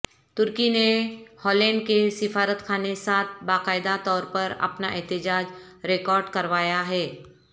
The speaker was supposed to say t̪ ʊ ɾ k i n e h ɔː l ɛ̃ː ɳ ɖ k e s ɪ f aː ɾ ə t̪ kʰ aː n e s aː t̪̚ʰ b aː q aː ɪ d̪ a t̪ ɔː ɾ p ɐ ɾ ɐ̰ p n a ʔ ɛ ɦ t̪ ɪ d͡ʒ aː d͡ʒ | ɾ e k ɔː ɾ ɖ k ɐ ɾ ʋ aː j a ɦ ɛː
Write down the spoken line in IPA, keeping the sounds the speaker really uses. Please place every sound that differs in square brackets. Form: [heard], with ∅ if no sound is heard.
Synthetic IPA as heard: t̪ ʊ ɾ k i n e h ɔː l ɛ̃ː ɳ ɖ k e s ɪ f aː ɾ ə t̪ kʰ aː n e s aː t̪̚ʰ b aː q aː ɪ d̪ a t̪ ɔː ɾ p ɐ ɾ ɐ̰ p n a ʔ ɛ ɦ t̪ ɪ d͡ʒ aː d͡ʒ | ɾ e k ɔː ɾ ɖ k ɐ ɾ ʋ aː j a ɦ ɛː

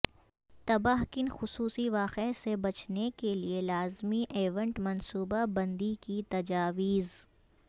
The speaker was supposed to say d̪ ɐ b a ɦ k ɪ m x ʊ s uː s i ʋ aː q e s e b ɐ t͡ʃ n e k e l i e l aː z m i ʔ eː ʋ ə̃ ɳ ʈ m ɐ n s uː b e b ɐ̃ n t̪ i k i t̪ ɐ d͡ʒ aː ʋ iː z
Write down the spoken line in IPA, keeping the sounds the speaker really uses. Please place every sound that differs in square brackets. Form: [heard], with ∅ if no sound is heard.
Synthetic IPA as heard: [t̪] ɐ b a ɦ k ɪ [n] x ʊ s uː s i ʋ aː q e s e b ɐ t͡ʃ n e k e l i e l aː z m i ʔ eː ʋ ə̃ ɳ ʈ m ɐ n s uː b [a] b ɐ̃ n [d̪] i k i t̪ ɐ d͡ʒ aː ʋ iː z

